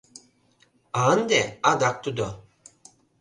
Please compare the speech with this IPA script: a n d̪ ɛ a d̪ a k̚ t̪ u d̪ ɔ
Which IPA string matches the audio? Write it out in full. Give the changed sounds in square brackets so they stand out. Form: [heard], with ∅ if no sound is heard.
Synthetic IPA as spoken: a n d̪ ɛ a d̪ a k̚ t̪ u d̪ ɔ